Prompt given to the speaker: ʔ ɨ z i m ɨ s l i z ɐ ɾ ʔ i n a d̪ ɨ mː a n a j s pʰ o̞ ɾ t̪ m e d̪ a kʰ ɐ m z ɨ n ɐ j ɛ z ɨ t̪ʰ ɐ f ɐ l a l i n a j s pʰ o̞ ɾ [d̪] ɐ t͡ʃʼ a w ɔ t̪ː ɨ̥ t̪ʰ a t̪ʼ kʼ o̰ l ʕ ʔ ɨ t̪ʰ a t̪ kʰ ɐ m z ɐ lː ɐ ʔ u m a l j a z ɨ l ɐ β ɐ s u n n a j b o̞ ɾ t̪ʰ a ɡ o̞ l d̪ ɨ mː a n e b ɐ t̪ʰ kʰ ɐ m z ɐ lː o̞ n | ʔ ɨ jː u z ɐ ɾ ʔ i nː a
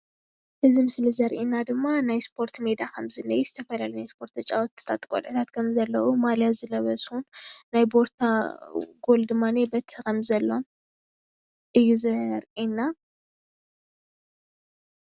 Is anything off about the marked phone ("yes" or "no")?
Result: yes